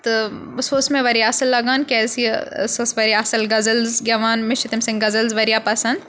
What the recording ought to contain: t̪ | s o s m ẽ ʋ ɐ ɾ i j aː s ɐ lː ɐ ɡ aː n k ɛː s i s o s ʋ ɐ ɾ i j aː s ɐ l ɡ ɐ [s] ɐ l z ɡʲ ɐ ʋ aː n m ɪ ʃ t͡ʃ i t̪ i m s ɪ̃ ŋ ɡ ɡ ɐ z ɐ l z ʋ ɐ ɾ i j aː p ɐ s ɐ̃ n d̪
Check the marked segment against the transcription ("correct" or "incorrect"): incorrect